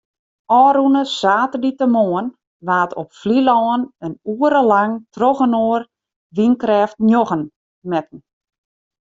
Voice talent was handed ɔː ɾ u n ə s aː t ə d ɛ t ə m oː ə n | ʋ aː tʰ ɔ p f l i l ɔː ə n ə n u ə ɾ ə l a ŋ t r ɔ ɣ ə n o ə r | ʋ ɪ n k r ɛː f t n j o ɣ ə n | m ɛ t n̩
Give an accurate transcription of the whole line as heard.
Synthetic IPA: ɔː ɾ u n ə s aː t ə d i t ə m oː ə n | ʋ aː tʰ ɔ p f l i l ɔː ə n ə n u ə ɾ ə l a ŋ t r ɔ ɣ ə n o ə r | ʋ i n k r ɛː f t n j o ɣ ə n | m ɛ t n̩